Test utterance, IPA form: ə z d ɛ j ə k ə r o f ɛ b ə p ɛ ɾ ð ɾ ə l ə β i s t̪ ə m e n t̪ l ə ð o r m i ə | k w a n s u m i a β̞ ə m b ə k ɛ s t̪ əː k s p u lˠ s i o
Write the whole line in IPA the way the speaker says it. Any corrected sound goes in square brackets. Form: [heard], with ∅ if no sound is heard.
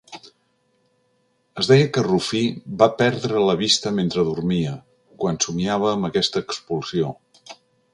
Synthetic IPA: ə z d ɛ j ə k ə r [u] f [i] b [a] p ɛ ɾ ð ɾ ə l ə β i s t̪ ə m e n t̪ [ɾ] ə ð [u] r m i ə | k w a n s u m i a β̞ [əː] m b ə k ɛ s t̪ əː k s p u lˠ s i o